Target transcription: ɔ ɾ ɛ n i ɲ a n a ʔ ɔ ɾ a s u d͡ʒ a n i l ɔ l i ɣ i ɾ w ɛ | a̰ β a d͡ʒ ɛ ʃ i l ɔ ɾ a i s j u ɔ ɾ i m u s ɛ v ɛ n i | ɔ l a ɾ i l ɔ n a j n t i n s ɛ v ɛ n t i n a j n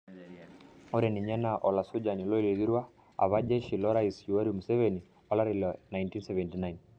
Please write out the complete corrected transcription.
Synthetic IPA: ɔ ɾ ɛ n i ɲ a n a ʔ ɔ l a s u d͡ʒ a n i l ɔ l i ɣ i ɾ w a | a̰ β a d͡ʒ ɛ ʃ i l ɔ ɾ a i s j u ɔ ɾ i m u s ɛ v ɛ n i | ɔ l a ɾ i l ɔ n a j n t i n s ɛ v ɛ n t i n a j n

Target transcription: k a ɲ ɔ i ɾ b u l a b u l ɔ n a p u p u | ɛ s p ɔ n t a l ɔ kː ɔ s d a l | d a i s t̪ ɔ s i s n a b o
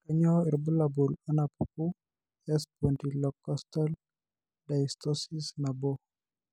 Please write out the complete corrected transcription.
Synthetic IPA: k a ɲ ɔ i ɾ b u l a b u l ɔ n a p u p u | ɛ s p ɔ n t i l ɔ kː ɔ s t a l | d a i s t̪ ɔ s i s n a b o

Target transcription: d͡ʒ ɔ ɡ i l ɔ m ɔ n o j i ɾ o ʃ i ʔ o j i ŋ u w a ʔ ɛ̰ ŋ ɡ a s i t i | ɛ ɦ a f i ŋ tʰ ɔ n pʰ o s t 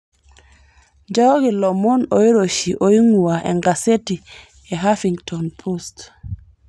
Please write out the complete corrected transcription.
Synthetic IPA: d͡ʒ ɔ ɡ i l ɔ m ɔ n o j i ɾ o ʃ i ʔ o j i ŋ u w a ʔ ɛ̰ ŋ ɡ a s e t i | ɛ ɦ a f i ŋ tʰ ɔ n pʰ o s t

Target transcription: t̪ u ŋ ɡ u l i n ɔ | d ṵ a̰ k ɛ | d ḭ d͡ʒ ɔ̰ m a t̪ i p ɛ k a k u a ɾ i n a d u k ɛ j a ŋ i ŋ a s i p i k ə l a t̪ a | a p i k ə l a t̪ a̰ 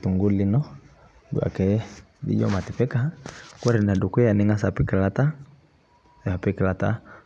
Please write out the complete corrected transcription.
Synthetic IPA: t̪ u ŋ ɡ u l i n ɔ | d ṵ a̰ k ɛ | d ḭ d͡ʒ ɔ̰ m a t̪ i p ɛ k a k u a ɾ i n a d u k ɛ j a n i ŋ a s a p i k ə l a t̪ a | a p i k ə l a t̪ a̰

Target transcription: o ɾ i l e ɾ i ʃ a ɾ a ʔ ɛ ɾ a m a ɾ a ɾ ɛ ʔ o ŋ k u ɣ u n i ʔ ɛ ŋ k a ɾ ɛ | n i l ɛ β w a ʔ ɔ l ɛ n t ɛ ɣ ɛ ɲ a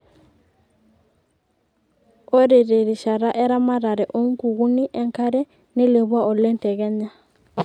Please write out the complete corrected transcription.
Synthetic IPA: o ɾ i ɾ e ɾ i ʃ a ɾ a ʔ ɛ ɾ a m a ɾ a ɾ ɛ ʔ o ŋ k u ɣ u n i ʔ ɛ ŋ k a ɾ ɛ | n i l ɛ β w a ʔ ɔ l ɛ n t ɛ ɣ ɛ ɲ a

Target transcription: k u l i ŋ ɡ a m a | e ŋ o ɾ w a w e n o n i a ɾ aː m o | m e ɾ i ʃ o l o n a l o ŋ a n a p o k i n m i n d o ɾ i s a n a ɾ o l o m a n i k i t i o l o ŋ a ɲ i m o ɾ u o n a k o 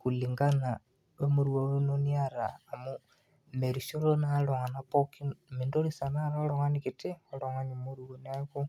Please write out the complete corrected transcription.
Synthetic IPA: k u l i ŋ ɡ a n a | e m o ɾ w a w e n o n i a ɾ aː m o | m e ɾ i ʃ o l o n a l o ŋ a n a p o k i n m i n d o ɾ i s a n a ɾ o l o ŋ a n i k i t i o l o ŋ a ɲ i m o ɾ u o n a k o

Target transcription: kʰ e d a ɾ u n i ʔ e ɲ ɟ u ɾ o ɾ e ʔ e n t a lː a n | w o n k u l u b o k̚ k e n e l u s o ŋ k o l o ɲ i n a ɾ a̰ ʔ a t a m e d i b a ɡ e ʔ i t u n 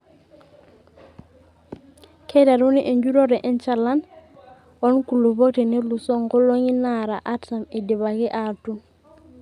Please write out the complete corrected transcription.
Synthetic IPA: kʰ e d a ɾ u n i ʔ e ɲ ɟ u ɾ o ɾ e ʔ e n t͡ʃ a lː a n | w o n k u l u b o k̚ t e n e l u s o ŋ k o l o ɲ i n a ɾ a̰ ʔ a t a m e d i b a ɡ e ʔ a t u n

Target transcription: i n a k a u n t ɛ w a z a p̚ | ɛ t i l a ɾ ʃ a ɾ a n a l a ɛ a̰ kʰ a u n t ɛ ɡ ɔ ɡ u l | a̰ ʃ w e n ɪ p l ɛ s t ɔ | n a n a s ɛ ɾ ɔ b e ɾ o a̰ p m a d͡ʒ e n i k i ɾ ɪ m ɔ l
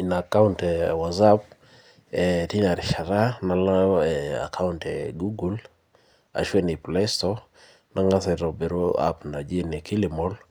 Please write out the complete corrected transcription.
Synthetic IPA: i n a k a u n t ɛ w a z a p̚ | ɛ t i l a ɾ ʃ a ɾ a n a l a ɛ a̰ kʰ a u n t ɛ ɡ u ɡ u l | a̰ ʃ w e n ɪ p l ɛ s t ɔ | n a ŋ a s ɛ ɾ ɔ b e ɾ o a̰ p n a d͡ʒ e n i k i l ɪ m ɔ l

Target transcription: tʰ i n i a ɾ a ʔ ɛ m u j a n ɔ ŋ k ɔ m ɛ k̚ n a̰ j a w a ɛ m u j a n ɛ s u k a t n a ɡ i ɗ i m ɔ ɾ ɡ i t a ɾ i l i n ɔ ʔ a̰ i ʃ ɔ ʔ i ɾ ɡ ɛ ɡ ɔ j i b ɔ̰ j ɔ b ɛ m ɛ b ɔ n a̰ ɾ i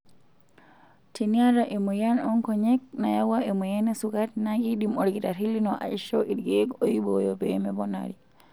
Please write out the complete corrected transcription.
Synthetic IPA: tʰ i n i a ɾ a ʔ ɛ m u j a n ɔ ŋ k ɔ ɲ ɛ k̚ n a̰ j a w a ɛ m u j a n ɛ s u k a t n a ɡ i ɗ i m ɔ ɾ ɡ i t a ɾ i l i n ɔ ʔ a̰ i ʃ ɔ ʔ i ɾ ɡ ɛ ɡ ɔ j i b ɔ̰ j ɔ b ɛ m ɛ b ɔ n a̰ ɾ i

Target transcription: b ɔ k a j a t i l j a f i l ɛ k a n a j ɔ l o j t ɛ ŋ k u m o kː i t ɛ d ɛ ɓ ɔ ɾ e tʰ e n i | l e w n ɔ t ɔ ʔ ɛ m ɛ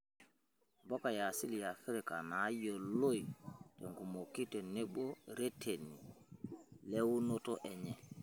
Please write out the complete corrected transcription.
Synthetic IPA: b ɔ k a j a s i l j a f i ɾ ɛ k a n a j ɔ l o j t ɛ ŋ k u m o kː i t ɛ n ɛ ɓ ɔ ɾ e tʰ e n i | l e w n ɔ t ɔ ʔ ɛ ɲ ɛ

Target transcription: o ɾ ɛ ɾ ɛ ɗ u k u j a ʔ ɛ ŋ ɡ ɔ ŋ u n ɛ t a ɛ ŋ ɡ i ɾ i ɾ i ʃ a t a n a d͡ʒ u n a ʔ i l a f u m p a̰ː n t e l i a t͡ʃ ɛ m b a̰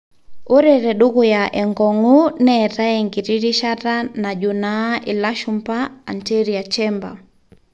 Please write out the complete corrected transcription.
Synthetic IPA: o ɾ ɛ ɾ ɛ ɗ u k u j a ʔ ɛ ŋ ɡ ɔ ŋ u n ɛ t a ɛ ŋ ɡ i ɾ i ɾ i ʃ a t a n a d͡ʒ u n a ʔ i l a ʃ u m p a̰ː n t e ɾ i a t͡ʃ ɛ m b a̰

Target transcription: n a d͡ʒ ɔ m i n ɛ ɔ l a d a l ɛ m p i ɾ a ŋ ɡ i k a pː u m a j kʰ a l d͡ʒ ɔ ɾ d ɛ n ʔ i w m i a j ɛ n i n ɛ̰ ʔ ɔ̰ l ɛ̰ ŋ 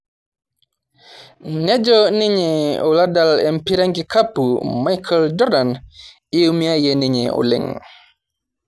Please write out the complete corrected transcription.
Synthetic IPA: n ɛ d͡ʒ ɔ n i ɲ ɛ ɔ l a d a l ɛ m p i ɾ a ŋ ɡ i k a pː u m a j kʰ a l d͡ʒ ɔ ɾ d a n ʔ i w m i a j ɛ n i ɲ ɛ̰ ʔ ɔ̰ l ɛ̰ ŋ

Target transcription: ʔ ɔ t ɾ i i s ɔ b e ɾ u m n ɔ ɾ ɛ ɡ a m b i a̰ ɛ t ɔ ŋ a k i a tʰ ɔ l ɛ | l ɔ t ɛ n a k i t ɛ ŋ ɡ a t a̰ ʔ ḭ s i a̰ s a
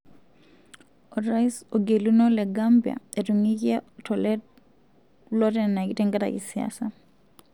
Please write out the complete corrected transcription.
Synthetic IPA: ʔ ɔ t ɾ a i s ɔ ɡ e l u n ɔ l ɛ ɡ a m b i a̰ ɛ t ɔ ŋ i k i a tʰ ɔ l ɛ | l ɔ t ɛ n a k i t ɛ ŋ ɡ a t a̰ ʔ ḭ s i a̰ s a

